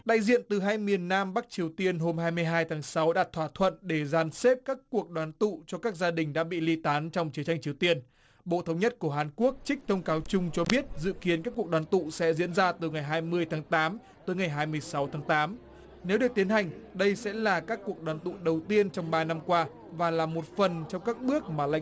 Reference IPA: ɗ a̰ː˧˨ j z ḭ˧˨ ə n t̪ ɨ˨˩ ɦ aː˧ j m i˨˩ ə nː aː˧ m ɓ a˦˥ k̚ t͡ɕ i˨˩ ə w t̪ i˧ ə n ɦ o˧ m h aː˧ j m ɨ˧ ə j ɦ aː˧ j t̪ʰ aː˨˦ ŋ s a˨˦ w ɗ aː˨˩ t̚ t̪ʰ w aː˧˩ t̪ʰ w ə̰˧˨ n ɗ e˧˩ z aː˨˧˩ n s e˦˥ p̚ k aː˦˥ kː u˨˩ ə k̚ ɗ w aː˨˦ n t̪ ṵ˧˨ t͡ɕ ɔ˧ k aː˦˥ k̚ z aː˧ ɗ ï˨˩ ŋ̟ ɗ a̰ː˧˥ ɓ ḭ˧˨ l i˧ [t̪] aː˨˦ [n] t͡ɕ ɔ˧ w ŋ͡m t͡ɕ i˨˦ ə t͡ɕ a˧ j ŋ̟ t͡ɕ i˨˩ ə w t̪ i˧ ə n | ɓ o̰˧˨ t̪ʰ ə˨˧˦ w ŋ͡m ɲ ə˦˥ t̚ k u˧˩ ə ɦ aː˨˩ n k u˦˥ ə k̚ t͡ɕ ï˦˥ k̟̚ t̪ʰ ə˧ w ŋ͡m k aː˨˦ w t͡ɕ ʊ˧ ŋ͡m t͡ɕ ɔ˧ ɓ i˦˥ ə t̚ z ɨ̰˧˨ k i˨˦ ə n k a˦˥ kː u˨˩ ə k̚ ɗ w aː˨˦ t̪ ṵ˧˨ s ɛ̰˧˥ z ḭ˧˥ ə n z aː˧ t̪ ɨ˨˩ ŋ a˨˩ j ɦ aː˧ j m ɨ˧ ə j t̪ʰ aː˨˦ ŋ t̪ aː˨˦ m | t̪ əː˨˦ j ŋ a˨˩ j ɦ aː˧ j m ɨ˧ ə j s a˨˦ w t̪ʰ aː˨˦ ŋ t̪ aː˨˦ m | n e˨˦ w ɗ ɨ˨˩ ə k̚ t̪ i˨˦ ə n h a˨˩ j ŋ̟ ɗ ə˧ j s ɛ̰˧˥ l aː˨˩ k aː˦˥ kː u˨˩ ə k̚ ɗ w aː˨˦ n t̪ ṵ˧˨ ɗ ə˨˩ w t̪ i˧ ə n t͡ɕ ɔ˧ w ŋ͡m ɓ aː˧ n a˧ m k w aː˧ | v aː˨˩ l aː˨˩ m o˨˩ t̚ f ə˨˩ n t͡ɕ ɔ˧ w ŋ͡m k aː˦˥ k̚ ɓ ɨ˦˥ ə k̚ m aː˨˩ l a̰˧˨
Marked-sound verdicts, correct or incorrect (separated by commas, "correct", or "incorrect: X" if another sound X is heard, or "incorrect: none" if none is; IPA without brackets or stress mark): correct, correct